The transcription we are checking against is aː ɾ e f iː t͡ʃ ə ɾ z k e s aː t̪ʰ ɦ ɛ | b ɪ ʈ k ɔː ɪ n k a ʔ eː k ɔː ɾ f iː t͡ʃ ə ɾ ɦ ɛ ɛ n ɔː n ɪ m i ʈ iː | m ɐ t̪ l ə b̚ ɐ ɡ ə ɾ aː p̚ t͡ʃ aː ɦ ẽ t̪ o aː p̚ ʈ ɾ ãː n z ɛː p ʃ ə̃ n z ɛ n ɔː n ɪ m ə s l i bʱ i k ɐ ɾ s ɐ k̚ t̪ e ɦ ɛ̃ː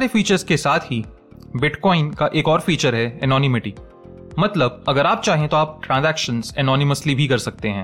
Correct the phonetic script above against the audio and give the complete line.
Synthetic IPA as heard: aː ɾ e f iː t͡ʃ ə ɾ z k e s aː t̪ʰ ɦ i | b ɪ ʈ k ɔː ɪ n k a ʔ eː k ɔː ɾ f iː t͡ʃ ə ɾ ɦ ɛ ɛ n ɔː n ɪ m ɪ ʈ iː | m ɐ t̪ l ə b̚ ɐ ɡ ə ɾ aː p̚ t͡ʃ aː ɦ ẽ t̪ o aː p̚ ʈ ɾ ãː n z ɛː k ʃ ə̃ n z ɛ n ɔː n ɪ m ə s l i bʱ i k ɐ ɾ s ɐ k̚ t̪ e ɦ ɛ̃ː